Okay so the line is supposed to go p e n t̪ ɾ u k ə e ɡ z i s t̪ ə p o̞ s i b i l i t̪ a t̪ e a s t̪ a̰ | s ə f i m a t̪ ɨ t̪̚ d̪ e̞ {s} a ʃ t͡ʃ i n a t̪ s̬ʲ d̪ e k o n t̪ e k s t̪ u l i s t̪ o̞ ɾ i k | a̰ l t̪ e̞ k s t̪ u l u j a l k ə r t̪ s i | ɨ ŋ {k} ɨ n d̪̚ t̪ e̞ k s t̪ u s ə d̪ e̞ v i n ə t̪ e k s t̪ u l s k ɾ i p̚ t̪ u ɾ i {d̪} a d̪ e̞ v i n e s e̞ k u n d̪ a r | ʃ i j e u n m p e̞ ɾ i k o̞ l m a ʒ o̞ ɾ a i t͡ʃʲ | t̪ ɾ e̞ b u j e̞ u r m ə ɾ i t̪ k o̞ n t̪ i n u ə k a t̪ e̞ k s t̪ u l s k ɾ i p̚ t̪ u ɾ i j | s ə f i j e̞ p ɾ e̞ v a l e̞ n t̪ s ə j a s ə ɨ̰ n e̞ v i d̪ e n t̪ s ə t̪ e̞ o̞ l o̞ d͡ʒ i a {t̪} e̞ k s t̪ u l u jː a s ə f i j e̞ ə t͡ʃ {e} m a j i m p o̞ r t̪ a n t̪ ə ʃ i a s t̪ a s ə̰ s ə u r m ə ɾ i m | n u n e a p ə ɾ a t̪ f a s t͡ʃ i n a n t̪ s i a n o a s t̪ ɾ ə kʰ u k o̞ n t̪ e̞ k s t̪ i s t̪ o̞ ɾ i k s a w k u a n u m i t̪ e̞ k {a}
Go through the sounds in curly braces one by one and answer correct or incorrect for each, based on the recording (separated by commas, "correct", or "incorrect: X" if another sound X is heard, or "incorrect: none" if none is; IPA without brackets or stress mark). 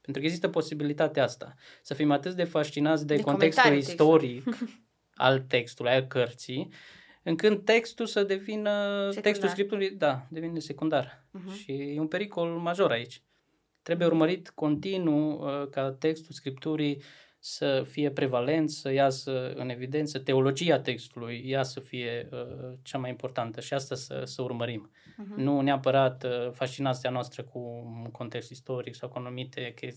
incorrect: f, correct, correct, correct, incorrect: a, incorrect: e